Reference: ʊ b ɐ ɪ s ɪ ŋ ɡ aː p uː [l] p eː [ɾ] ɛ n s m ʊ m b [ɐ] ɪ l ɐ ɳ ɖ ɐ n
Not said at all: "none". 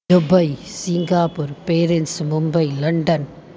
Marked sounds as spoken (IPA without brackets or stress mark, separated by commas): ɾ, ɾ, ɐ